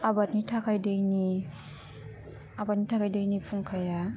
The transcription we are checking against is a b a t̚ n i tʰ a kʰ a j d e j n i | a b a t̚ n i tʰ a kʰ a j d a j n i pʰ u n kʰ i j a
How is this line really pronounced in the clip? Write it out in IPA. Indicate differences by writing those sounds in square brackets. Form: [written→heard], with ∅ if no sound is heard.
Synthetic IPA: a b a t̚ n i tʰ a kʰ a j d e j n i | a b a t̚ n i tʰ a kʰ a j d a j n i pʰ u [n→ŋ] kʰ [i→a] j a

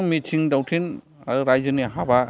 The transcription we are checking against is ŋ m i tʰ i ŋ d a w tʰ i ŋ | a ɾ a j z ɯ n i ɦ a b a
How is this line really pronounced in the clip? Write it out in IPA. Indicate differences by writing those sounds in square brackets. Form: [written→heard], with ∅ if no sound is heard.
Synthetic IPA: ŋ m i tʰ i ŋ d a w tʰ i [ŋ→n] | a ɾ a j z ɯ n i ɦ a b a

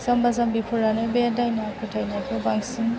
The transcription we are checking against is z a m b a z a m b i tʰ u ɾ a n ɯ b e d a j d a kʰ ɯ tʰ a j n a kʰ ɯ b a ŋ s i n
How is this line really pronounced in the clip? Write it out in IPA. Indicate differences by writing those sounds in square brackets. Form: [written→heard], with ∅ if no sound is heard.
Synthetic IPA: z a m b a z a m b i [tʰ→pʰ] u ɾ a n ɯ b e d a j [d→n] a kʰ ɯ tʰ a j n a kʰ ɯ b a ŋ s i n

